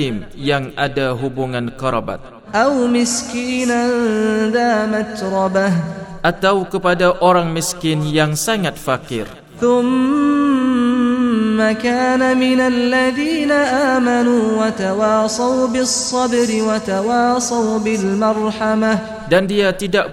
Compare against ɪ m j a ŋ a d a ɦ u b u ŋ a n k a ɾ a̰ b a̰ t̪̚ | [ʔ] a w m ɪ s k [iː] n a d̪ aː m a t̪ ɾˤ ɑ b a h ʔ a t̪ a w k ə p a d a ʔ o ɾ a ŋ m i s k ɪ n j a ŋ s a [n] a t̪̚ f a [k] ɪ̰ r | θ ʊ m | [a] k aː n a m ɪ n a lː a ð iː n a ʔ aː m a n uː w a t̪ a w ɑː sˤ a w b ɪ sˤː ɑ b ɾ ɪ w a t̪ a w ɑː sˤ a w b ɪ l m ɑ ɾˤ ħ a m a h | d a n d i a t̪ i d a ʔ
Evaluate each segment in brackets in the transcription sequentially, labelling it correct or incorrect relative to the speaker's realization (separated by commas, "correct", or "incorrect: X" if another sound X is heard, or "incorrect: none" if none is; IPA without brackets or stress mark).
correct, correct, incorrect: ŋ, correct, correct